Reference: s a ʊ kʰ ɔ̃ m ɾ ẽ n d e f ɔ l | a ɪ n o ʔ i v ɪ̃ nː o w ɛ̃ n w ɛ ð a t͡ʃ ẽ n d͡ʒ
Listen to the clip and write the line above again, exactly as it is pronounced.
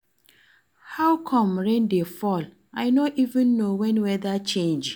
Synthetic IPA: h a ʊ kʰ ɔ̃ m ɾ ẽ n d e f ɔ l | a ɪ n o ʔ i v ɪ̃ nː o w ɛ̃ n w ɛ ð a t͡ʃ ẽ n d͡ʒ